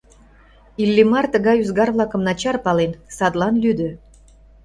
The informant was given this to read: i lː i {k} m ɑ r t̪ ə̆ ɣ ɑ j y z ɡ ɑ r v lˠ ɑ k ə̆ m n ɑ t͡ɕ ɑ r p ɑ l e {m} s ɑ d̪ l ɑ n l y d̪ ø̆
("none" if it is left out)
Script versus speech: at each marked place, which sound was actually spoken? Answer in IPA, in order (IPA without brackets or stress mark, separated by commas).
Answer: none, n